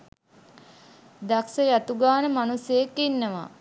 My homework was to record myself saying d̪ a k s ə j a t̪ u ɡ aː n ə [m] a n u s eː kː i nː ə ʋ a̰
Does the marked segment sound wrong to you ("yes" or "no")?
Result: no